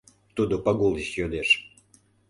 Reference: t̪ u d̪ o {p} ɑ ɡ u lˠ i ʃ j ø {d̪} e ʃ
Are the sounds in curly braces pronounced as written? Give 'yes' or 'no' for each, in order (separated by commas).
yes, yes